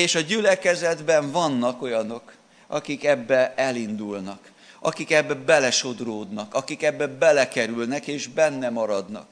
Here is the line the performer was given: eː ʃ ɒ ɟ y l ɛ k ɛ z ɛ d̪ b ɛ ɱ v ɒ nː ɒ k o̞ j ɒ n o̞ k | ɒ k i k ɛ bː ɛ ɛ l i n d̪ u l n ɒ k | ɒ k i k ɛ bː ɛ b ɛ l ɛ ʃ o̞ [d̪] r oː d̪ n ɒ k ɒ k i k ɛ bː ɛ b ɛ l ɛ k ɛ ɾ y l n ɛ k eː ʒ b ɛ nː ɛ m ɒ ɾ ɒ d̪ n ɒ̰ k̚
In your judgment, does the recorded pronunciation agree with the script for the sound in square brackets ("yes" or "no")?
yes